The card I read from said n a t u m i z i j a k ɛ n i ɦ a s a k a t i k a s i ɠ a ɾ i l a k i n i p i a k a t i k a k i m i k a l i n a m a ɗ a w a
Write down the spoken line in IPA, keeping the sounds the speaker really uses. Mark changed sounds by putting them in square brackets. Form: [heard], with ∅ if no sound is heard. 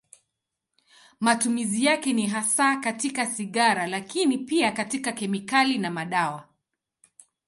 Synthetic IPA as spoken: [m] a t u m i z i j a k ɛ n i ɦ a s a k a t i k a s i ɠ a ɾ [a] l a k i n i p i a k a t i k a k [ɛ] m i k a l i n a m a ɗ a w a